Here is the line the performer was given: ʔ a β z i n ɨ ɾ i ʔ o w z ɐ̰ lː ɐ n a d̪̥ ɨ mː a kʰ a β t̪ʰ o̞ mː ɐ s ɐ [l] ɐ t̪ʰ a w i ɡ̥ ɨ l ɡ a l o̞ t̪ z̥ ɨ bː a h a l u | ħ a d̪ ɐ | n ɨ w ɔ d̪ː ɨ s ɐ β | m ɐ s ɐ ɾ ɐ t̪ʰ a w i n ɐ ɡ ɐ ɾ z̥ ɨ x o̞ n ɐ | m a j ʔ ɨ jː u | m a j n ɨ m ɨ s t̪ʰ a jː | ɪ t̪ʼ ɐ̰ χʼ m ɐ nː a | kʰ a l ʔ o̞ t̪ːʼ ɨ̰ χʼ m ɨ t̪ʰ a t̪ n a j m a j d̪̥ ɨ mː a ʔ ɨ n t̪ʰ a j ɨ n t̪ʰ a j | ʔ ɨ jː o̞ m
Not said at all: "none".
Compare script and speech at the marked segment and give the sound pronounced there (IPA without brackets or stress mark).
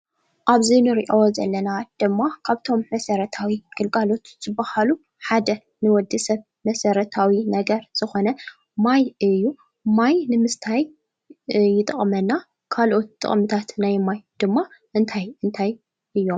ɾ